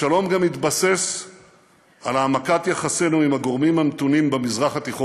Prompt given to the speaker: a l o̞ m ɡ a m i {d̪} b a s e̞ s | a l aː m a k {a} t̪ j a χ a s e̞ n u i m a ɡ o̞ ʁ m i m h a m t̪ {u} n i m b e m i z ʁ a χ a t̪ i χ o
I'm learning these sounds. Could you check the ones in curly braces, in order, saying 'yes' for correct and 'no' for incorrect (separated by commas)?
no, yes, yes